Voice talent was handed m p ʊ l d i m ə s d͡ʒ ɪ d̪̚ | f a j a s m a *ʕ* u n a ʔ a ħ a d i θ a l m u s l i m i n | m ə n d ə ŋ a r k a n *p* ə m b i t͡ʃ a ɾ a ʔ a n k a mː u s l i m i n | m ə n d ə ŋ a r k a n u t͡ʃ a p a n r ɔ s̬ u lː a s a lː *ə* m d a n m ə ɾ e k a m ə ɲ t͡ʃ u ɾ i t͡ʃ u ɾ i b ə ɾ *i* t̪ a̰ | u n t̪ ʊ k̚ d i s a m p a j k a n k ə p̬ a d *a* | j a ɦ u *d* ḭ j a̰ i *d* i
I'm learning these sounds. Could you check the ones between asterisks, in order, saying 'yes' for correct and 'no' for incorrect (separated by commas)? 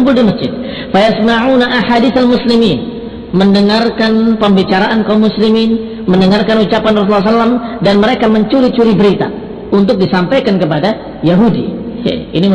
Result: yes, yes, no, yes, yes, yes, no